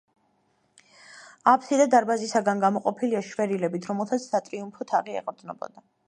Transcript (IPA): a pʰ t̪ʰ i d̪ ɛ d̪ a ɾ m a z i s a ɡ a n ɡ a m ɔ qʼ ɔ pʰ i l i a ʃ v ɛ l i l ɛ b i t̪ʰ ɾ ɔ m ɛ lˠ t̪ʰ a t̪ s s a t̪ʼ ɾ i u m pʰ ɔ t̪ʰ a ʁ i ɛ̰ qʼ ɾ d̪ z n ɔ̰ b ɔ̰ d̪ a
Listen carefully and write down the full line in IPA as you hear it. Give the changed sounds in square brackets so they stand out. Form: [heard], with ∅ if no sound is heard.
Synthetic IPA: a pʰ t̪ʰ i d̪ [a] d̪ a ɾ [b] a z i s a ɡ a n ɡ a m ɔ qʼ ɔ pʰ i l i a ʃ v ɛ [ɾ] i l ɛ b i t̪ʰ ɾ ɔ m ɛ lˠ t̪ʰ a t̪ s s a t̪ʼ ɾ i u m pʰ ɔ t̪ʰ a ʁ i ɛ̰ qʼ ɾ d̪ z n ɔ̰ b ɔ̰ d̪ a